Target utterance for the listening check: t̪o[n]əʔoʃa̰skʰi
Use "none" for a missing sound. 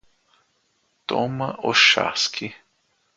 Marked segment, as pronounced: m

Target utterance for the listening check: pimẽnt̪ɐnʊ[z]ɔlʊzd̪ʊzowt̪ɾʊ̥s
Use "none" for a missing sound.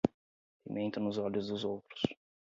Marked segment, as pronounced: z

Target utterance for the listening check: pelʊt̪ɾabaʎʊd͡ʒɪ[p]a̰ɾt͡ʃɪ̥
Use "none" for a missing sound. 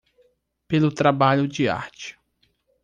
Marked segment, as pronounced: none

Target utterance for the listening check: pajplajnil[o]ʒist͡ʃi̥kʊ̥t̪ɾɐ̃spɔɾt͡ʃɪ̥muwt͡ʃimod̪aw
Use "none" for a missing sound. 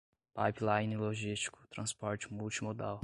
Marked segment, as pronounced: o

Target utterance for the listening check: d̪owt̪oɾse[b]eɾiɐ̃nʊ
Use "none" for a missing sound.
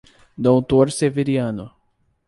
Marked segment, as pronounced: v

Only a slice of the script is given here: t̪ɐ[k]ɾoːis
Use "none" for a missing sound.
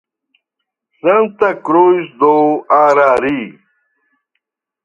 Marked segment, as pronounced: k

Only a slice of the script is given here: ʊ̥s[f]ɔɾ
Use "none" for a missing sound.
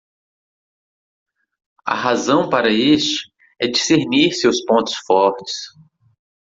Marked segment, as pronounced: f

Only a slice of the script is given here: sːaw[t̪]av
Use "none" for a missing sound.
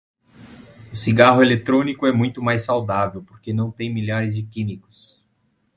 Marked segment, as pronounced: d̪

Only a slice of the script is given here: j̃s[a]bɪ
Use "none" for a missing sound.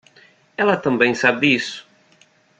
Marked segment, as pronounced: a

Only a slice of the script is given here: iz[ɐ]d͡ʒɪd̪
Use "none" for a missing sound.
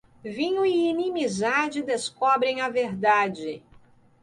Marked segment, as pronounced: a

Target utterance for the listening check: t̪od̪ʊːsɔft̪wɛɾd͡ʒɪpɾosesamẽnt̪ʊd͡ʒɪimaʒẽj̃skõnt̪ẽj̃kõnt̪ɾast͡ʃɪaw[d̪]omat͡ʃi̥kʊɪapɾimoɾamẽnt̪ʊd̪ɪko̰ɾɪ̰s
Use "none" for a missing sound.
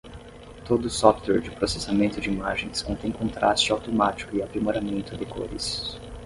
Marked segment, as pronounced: t̪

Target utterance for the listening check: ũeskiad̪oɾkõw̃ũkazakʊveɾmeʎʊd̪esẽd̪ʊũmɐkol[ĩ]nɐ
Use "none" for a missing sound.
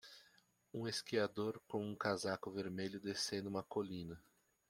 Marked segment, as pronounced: ĩ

